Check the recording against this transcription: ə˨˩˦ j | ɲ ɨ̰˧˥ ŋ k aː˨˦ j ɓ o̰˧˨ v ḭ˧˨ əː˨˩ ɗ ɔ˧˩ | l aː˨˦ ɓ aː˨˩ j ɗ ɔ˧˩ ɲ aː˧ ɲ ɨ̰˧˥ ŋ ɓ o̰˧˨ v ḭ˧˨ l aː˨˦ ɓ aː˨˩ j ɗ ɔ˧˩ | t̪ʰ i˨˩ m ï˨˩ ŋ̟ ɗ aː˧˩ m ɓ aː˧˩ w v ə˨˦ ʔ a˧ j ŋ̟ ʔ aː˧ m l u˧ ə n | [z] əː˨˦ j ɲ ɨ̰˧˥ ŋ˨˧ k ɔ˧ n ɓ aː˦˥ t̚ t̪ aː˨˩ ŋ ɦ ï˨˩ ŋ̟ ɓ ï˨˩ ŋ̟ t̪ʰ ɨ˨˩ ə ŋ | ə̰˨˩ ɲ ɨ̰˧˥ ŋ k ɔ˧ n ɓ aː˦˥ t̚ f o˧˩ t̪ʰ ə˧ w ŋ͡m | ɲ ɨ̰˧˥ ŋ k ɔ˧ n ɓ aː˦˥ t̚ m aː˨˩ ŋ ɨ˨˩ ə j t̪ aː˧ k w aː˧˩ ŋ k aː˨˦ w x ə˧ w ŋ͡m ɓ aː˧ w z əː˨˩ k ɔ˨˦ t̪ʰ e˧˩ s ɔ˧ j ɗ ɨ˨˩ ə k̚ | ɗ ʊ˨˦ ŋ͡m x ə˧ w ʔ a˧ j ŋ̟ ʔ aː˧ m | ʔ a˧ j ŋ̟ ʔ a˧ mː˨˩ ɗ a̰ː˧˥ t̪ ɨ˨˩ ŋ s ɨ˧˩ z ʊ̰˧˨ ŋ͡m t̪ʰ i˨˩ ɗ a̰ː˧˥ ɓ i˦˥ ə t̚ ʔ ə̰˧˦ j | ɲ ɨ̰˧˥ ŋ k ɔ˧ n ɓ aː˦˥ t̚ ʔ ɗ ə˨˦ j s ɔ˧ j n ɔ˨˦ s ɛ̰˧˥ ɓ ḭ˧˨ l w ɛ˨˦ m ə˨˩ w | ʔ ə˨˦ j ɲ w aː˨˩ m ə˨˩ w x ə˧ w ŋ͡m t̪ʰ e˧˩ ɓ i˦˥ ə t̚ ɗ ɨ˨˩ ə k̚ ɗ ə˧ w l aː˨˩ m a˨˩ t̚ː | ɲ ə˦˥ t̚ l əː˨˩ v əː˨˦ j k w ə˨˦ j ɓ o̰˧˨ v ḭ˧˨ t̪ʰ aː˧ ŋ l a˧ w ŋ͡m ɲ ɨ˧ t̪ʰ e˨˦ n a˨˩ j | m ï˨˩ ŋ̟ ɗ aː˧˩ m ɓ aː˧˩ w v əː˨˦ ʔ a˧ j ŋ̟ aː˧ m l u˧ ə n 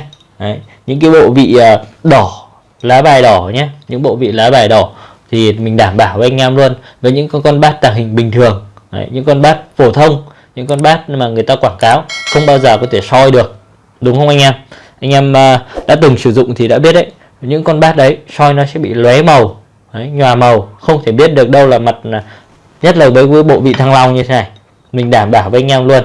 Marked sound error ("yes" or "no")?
yes